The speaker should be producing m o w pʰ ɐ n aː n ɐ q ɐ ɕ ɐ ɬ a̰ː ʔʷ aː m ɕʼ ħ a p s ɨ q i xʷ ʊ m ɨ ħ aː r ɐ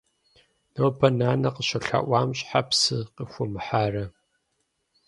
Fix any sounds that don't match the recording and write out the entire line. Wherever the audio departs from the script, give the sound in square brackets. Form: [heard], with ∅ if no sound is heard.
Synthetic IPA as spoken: [n] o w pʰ ɐ n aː n ɐ q [ə] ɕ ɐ ɬ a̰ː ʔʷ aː m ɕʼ ħ a p s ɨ q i xʷ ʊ m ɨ ħ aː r ɐ